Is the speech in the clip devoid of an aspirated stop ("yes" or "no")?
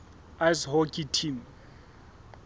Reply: no